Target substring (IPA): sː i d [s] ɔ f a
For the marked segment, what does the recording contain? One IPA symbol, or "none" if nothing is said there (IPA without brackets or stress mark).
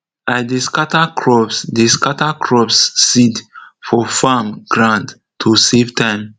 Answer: f